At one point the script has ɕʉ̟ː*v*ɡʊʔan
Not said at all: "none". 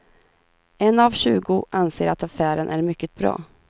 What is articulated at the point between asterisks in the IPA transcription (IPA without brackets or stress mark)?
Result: none